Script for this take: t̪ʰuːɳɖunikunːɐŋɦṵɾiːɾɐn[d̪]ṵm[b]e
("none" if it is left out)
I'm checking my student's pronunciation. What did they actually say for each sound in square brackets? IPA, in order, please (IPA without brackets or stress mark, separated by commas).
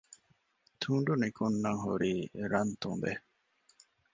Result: t̪, b